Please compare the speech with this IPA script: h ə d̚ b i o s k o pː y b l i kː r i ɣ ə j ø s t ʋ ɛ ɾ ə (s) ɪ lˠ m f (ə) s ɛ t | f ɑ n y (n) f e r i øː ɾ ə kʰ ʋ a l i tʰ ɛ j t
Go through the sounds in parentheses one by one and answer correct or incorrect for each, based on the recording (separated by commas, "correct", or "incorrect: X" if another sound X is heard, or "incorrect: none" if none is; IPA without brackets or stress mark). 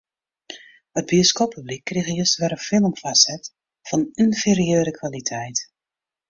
incorrect: f, incorrect: a, correct